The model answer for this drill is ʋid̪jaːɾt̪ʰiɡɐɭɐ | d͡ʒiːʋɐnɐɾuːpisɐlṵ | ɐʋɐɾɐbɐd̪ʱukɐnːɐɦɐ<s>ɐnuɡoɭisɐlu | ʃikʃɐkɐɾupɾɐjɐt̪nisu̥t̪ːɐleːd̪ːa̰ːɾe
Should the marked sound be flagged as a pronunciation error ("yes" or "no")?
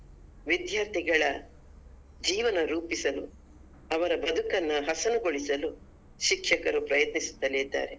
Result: no